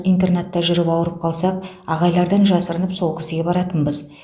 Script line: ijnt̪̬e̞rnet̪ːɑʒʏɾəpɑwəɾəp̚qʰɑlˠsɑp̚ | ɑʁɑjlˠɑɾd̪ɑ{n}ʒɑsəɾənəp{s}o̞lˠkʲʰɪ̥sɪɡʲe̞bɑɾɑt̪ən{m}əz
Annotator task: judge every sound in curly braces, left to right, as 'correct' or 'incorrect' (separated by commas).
correct, correct, incorrect